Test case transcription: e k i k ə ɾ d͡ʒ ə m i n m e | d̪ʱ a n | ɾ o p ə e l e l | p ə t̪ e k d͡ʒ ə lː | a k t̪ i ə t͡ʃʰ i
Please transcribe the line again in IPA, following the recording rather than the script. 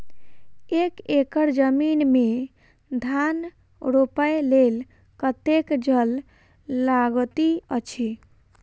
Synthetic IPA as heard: e k e k ə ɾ d͡ʒ ə m i n m e | d̪ʱ a n | ɾ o p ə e l e l | k ə t̪ e k d͡ʒ ə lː | a ɡ t̪ i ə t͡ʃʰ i